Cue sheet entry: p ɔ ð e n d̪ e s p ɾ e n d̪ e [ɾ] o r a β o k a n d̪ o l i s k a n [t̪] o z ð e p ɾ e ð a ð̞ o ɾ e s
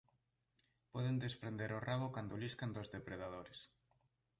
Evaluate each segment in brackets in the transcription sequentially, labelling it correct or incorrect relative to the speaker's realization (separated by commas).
correct, incorrect